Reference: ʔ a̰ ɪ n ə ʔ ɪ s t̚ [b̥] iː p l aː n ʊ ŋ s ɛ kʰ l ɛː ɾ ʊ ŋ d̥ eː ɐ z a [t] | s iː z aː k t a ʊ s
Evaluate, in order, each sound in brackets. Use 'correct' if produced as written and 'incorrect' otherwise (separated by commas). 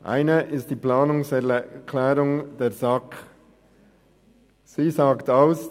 incorrect, incorrect